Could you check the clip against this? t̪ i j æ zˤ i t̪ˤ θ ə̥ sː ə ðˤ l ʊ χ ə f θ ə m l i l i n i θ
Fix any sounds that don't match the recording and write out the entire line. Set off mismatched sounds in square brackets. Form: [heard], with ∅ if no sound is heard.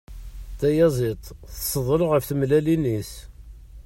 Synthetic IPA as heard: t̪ [æ] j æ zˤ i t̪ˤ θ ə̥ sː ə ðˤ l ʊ [ʁ] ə f θ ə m l [æ] l i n i [s]